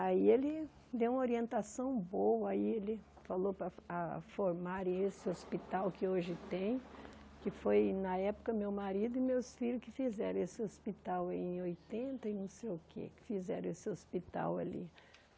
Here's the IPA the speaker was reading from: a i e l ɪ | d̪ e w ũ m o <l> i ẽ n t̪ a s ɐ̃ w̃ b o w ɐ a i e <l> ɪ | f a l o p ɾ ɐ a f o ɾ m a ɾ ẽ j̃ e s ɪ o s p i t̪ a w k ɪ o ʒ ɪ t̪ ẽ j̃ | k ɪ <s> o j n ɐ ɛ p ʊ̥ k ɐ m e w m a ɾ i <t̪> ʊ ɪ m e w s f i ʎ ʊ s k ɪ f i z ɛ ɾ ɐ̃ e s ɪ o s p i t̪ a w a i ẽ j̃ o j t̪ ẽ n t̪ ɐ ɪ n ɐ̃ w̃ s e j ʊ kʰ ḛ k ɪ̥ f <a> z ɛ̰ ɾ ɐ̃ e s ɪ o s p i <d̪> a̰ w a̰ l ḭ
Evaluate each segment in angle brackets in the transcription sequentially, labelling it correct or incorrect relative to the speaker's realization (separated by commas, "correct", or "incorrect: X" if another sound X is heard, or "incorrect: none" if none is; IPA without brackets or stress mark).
incorrect: ɾ, correct, incorrect: f, incorrect: d̪, incorrect: i, incorrect: t̪